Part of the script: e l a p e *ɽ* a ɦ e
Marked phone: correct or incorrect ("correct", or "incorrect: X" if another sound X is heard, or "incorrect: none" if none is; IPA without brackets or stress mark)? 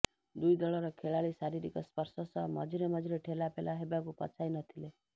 incorrect: l